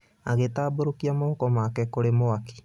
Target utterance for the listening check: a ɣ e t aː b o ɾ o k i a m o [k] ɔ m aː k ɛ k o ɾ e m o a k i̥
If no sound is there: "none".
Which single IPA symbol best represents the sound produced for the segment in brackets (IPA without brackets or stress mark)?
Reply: k